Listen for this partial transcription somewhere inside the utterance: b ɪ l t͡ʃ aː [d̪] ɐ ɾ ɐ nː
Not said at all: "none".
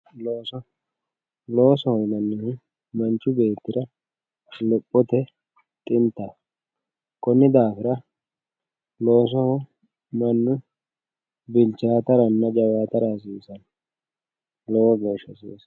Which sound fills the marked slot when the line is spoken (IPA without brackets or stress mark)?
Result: t̪